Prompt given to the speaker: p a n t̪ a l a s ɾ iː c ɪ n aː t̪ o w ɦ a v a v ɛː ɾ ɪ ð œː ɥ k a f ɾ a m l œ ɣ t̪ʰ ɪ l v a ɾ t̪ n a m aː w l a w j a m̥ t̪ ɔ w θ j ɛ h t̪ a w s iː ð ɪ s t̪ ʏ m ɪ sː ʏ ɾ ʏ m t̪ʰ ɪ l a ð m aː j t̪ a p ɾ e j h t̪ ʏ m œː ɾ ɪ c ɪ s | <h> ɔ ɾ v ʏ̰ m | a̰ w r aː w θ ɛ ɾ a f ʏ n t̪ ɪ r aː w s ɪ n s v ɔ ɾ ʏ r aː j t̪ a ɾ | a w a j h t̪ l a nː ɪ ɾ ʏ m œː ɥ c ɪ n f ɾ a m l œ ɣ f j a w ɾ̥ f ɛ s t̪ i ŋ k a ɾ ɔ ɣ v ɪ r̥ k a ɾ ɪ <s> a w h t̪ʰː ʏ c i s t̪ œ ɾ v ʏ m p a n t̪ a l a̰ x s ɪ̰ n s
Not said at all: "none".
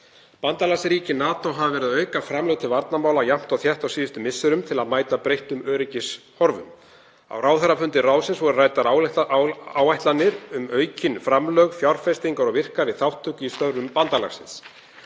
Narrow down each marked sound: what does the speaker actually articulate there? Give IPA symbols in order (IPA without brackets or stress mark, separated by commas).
h, θ